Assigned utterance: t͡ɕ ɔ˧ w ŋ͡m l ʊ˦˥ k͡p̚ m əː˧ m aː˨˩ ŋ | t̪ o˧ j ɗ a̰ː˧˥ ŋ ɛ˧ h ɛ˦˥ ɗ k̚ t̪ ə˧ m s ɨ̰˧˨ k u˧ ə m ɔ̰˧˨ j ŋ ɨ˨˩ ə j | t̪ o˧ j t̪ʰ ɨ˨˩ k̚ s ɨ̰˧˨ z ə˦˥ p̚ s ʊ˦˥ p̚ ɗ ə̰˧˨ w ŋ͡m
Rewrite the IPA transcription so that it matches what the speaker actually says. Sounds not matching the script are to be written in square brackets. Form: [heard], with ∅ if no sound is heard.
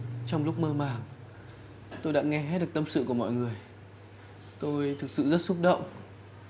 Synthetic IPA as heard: t͡ɕ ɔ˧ w ŋ͡m l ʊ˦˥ k͡p̚ m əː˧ m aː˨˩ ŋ | t̪ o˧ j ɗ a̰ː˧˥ ŋ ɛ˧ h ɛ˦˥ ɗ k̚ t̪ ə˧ m s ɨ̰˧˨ k [u˧˩] ə m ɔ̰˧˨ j ŋ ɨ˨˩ ə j | t̪ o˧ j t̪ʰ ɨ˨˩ k̚ s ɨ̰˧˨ z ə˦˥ [t̚] s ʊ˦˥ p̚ ɗ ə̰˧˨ w ŋ͡m